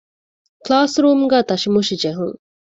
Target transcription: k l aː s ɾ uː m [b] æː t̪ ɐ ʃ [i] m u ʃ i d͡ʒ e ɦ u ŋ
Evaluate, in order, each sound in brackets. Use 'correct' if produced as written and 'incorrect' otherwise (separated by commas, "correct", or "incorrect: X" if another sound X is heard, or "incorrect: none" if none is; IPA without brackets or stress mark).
incorrect: ɡ, correct